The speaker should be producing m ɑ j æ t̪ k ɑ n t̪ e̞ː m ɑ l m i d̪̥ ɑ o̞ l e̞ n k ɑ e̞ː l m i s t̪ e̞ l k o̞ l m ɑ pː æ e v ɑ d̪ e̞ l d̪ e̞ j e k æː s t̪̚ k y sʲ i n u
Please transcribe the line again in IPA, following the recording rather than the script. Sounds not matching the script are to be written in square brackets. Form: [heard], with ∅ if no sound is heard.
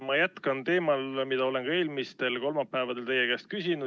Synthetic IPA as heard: m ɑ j æ t̪ k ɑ n t̪ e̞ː m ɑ l m i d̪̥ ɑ o̞ l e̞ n k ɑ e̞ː l m i s t̪ e̞ l k o̞ l m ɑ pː æ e v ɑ d̪ e̞ l [t̪] e̞ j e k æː s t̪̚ k y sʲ i n u